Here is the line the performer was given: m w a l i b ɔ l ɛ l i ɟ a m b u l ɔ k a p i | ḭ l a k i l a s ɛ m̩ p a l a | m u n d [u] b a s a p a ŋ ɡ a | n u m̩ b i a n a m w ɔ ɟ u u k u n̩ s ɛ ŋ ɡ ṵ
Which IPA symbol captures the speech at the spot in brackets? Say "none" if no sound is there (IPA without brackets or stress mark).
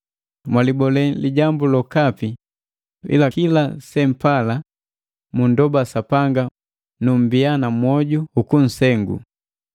ɔ